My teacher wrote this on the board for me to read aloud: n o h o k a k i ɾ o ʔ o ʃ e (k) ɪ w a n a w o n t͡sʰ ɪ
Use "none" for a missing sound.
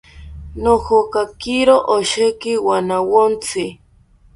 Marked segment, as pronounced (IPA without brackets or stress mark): k